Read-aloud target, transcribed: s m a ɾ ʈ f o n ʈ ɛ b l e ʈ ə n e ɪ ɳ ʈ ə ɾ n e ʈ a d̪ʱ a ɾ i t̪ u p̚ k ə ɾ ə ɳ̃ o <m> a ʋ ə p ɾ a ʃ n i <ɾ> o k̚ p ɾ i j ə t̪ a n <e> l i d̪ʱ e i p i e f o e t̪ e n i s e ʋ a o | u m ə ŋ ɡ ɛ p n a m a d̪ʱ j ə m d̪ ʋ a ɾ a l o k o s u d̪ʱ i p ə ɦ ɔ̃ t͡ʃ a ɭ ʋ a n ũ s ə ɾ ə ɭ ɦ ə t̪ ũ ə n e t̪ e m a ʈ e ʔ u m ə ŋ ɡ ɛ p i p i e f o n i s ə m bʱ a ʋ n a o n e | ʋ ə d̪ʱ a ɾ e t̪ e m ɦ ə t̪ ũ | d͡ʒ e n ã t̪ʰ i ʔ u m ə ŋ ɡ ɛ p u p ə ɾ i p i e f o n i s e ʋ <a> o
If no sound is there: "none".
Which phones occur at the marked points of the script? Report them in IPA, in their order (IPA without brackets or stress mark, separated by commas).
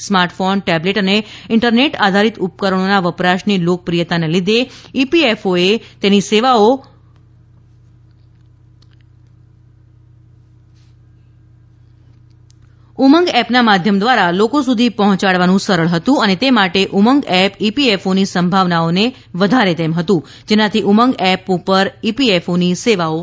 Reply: n, l, e, a